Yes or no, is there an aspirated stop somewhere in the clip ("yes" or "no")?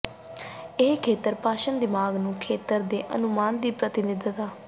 yes